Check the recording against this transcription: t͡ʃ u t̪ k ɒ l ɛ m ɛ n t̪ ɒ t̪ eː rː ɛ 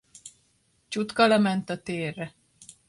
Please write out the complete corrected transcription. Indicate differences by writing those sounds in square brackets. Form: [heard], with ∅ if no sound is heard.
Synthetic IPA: t͡ʃ u t̪ k ɒ l ɛ m ɛ n t̪ ɒ t̪ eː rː ɛ

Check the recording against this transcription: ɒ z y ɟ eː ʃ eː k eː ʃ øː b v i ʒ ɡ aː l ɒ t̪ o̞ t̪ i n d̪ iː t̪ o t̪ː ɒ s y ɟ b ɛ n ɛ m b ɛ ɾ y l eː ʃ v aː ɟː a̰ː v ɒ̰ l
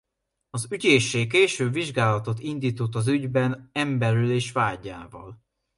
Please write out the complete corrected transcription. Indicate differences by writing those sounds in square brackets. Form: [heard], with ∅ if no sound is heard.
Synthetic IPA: ɒ z y ɟ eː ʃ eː k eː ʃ øː b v i ʒ ɡ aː l ɒ t̪ o̞ t̪ i n d̪ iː t̪ o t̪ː ɒ [z] y ɟ b ɛ n ɛ m b ɛ ɾ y l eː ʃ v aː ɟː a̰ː v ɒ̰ l

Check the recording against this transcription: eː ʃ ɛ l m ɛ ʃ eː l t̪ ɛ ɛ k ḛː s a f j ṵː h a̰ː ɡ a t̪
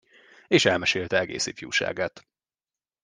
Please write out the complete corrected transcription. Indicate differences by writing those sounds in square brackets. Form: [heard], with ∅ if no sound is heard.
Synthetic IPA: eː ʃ ɛ l m ɛ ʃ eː l t̪ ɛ ɛ [ɡ] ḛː s [i] f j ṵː [ʃ] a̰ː ɡ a t̪

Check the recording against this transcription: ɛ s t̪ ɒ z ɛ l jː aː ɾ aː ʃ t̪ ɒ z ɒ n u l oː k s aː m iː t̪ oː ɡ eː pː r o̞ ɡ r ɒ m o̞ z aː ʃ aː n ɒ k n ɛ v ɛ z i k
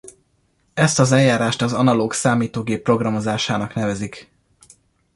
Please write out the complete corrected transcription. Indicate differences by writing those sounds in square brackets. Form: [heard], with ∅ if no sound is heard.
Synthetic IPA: ɛ s t̪ ɒ z ɛ l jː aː ɾ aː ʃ t̪ ɒ z ɒ n [ɒ] l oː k s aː m iː t̪ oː ɡ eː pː r o̞ ɡ r ɒ m o̞ z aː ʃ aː n ɒ k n ɛ v ɛ z i k

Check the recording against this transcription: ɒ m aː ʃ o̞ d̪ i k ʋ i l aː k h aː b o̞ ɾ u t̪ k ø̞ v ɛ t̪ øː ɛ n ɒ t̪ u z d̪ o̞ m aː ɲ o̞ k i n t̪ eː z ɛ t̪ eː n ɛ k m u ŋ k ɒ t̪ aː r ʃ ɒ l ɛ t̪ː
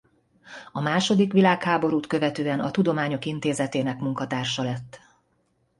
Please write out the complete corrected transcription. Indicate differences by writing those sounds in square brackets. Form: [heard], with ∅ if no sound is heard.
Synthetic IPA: ɒ m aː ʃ o̞ d̪ i k ʋ i l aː k h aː b o̞ ɾ [uː] t̪ k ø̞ v ɛ t̪ øː ɛ n ɒ t̪ u [∅] d̪ o̞ m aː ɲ o̞ k i n t̪ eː z ɛ t̪ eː n ɛ k m u ŋ k ɒ t̪ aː r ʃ ɒ l ɛ t̪ː

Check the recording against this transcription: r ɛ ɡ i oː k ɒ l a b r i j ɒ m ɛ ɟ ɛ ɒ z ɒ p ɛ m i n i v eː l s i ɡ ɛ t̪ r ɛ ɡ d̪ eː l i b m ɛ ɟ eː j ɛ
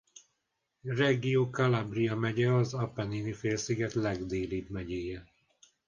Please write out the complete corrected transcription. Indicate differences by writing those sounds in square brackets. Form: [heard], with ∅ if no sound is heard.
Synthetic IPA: r ɛ ɡ i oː k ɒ l a b r i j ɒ m ɛ ɟ ɛ ɒ z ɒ p ɛ [n] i n i [f] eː l s i ɡ ɛ t̪ [l] ɛ ɡ d̪ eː l i b m ɛ ɟ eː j ɛ

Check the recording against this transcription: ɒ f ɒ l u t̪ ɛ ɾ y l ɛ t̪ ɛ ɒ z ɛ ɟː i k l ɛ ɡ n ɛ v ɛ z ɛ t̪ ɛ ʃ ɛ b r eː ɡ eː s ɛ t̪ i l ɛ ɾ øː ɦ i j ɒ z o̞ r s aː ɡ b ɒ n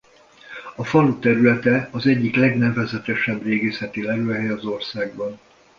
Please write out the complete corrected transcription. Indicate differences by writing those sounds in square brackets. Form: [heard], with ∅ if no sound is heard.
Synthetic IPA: ɒ f ɒ l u t̪ ɛ ɾ y l ɛ t̪ ɛ ɒ z ɛ ɟː i k l ɛ ɡ n ɛ v ɛ z ɛ t̪ ɛ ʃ ɛ b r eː ɡ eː s ɛ t̪ i l ɛ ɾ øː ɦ [ɛ] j ɒ z o̞ r s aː ɡ b ɒ n

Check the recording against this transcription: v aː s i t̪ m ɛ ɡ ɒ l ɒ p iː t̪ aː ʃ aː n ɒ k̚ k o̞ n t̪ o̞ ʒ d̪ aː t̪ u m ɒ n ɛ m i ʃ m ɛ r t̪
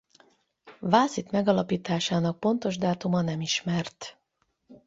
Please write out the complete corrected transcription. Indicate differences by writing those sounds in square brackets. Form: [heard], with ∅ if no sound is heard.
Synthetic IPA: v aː s i t̪ m ɛ ɡ ɒ l ɒ p iː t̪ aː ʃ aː n ɒ k̚ [p] o̞ n t̪ o̞ ʒ d̪ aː t̪ u m ɒ n ɛ m i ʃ m ɛ r t̪

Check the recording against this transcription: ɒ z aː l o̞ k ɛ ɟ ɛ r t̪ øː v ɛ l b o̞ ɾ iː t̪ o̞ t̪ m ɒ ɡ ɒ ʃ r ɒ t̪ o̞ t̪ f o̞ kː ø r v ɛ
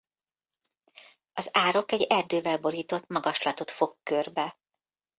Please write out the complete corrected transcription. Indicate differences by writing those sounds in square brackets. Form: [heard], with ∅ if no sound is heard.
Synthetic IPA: ɒ z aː [ɾ] o̞ k ɛ ɟ ɛ r [d̪] øː v ɛ l b o̞ ɾ iː t̪ o̞ t̪ m ɒ ɡ ɒ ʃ [l] ɒ t̪ o̞ t̪ f o̞ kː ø r [b] ɛ

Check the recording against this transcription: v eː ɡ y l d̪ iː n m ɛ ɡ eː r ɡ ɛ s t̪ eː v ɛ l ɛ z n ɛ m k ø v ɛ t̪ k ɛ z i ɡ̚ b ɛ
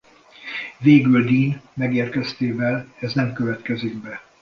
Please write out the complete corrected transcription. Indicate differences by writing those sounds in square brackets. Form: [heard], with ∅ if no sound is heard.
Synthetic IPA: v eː ɡ y l d̪ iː n m ɛ ɡ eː r [k] ɛ s t̪ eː v ɛ l ɛ z n ɛ m k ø v ɛ t̪ k ɛ z i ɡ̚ b ɛ

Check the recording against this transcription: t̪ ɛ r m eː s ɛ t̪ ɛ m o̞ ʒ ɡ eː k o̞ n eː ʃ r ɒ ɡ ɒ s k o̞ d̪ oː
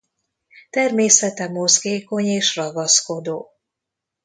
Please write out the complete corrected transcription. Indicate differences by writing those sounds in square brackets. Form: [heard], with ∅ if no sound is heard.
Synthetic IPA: t̪ ɛ r m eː s ɛ t̪ ɛ m o̞ [z] ɡ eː k o̞ [ɲ] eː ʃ r ɒ ɡ ɒ s k o̞ d̪ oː

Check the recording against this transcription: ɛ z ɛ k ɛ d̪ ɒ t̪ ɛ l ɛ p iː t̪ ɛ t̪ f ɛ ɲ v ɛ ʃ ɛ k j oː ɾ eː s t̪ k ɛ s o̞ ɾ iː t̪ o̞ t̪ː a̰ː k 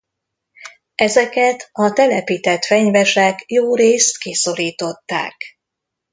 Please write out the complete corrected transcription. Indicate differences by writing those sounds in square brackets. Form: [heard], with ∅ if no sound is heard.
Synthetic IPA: ɛ z ɛ k ɛ [t̪] ɒ t̪ ɛ l ɛ p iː t̪ ɛ t̪ f ɛ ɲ v ɛ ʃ ɛ k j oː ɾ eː s t̪ k [i] s o̞ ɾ iː t̪ o̞ t̪ː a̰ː k

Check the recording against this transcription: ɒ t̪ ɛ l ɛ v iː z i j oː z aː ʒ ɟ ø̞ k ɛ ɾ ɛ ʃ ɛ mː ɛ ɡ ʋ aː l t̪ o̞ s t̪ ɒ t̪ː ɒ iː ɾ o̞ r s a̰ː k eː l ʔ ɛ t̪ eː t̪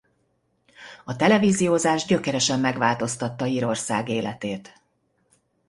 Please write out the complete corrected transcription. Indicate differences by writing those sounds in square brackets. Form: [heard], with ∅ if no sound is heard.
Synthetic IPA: ɒ t̪ ɛ l ɛ v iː z i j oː z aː ʒ ɟ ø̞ k ɛ ɾ ɛ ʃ ɛ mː ɛ ɡ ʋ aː l t̪ o̞ s t̪ ɒ t̪ː ɒ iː ɾ o̞ r s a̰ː [ɡ] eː l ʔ ɛ t̪ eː t̪

